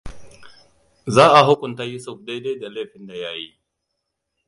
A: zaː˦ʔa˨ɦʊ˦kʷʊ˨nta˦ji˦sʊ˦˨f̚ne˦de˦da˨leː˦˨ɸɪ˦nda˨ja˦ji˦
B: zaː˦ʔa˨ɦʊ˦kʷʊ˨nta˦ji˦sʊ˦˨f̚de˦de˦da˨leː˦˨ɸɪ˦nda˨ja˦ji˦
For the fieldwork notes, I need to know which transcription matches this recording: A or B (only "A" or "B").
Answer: B